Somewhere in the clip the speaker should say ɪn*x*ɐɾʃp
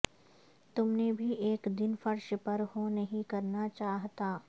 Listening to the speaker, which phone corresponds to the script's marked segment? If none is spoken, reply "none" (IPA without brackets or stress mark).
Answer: f